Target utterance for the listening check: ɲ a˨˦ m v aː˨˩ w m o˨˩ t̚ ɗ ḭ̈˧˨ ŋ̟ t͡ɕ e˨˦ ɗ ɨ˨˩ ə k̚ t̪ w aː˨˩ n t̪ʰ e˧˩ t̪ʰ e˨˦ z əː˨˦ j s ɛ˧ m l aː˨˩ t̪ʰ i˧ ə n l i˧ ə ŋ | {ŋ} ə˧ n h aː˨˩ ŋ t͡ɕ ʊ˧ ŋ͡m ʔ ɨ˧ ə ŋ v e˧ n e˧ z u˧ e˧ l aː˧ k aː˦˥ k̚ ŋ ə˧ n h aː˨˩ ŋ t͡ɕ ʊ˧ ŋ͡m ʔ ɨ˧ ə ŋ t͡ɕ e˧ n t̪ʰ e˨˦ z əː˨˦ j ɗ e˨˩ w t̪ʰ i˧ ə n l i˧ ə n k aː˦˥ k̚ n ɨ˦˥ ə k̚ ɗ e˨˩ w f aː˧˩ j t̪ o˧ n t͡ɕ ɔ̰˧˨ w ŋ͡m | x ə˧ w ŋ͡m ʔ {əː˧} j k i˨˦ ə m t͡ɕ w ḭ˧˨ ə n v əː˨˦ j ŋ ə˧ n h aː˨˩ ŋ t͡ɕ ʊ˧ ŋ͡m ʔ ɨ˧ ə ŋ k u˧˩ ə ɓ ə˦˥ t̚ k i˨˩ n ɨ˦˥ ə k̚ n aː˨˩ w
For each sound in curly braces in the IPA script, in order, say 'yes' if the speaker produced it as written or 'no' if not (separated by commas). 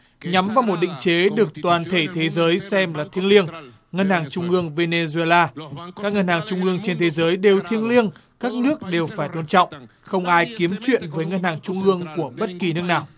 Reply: yes, no